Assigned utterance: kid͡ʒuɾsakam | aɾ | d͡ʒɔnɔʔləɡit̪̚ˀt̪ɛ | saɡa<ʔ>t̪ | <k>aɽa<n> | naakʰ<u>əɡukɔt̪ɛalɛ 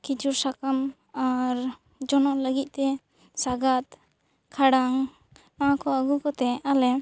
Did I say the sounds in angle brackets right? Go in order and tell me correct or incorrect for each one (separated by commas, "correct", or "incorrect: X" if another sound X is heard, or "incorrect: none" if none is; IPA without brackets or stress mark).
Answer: incorrect: none, incorrect: kʰ, incorrect: ŋ, incorrect: ɔ